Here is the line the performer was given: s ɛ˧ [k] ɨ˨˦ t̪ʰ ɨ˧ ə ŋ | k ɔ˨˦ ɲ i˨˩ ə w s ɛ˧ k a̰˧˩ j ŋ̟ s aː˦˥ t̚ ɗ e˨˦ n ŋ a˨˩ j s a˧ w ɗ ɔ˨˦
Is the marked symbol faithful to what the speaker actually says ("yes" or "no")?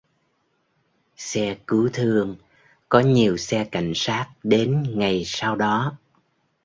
yes